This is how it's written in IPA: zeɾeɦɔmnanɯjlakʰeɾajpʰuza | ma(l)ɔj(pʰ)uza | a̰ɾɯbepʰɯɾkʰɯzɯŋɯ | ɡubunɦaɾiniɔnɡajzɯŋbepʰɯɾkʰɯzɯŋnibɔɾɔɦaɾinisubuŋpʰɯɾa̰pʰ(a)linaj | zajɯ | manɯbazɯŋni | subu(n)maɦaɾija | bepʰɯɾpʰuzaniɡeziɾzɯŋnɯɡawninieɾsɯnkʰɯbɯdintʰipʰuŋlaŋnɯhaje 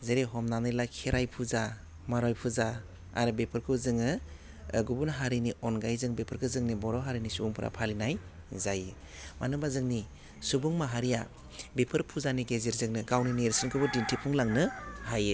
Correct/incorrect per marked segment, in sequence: incorrect, correct, correct, incorrect

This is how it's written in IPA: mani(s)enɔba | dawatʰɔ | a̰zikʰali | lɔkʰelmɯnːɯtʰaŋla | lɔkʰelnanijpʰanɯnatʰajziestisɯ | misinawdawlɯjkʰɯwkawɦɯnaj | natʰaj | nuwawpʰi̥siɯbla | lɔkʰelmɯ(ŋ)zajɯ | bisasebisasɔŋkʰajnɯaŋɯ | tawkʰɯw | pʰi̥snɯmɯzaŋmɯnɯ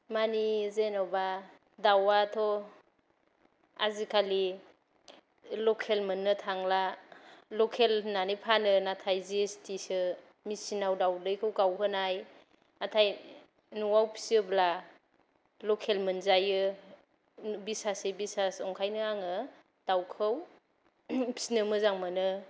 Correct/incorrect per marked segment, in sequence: incorrect, incorrect

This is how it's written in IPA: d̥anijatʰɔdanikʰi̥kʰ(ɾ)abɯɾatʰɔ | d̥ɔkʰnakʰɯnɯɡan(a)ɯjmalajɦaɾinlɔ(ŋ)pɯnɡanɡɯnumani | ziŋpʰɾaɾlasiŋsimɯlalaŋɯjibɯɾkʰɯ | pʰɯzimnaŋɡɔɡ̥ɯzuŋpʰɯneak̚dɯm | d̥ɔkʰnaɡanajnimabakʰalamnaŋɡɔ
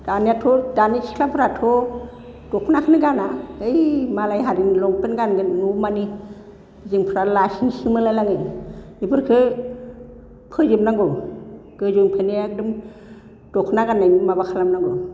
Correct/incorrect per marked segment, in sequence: incorrect, correct, correct

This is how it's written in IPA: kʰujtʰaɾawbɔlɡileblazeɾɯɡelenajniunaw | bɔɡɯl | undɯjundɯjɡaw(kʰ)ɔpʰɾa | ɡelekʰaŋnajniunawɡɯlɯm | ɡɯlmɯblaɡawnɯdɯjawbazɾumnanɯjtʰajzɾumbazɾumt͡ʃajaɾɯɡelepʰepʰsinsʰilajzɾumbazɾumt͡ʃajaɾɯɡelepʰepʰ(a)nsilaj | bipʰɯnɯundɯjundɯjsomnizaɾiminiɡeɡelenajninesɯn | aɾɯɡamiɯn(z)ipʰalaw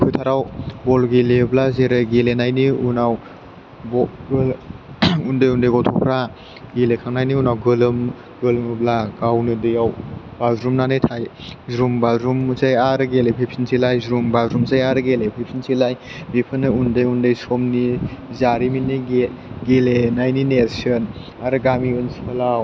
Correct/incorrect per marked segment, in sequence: incorrect, incorrect, incorrect

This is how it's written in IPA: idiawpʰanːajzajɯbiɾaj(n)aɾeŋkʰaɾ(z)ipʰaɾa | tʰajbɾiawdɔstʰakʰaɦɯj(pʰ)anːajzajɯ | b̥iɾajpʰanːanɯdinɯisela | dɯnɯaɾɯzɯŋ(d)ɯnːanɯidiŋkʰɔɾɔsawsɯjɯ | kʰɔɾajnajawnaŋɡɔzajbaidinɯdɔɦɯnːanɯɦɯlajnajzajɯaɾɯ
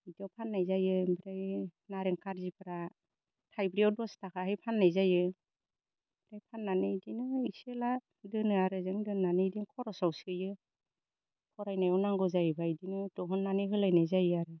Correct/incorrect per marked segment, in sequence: correct, correct, correct, correct

